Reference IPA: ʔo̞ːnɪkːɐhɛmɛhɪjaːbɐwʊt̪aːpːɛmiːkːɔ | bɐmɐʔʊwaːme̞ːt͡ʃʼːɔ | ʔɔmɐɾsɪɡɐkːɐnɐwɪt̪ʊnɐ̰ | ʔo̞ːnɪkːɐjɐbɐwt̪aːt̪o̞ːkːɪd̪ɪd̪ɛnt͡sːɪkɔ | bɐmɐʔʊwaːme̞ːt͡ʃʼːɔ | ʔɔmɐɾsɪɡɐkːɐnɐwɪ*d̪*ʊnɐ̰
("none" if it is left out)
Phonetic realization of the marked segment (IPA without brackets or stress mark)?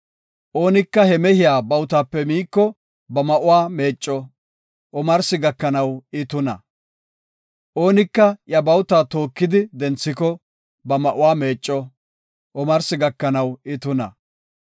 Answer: t̪